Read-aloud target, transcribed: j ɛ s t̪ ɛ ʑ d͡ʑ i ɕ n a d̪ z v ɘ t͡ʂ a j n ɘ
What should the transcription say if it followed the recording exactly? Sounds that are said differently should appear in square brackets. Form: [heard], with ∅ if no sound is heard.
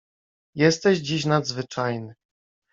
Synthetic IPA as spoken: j ɛ s t̪ ɛ ʑ d͡ʑ i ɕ n a d̪ z v ɘ t͡ʂ a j n ɘ